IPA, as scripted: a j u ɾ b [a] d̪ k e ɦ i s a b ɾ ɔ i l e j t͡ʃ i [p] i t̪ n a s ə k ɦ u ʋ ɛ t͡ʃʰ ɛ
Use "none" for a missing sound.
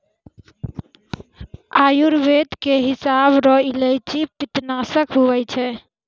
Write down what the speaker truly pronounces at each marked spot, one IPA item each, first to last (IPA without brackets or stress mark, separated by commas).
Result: e, p